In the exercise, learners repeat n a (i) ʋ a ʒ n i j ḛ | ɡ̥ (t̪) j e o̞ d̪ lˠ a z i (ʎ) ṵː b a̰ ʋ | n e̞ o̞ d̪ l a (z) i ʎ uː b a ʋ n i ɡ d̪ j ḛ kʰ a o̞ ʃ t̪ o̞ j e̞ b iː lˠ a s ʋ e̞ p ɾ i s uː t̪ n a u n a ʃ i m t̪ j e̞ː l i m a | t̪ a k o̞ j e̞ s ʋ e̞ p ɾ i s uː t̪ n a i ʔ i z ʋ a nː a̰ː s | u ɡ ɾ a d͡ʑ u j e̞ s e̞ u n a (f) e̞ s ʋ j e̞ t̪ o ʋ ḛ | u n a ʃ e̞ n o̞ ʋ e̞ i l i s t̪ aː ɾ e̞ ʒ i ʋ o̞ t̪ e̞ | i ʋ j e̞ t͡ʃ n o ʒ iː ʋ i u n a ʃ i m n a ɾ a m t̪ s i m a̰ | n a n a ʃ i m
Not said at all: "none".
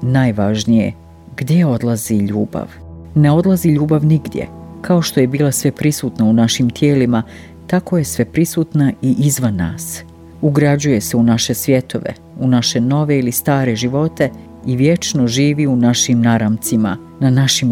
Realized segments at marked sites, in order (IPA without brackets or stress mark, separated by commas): j, d̪, ʎ, z, ʃ